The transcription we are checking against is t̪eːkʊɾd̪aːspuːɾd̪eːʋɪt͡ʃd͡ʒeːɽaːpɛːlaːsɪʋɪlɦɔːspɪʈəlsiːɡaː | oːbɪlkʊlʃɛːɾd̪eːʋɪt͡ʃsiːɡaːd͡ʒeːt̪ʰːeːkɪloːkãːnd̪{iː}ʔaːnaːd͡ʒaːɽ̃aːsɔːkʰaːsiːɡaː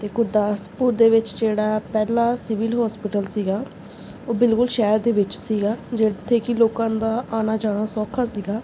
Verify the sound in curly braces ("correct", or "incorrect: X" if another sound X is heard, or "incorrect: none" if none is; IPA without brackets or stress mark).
incorrect: aː